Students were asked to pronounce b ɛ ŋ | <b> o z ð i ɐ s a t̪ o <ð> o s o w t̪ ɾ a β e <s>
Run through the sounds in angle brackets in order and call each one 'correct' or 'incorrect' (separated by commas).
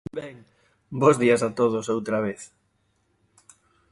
correct, correct, incorrect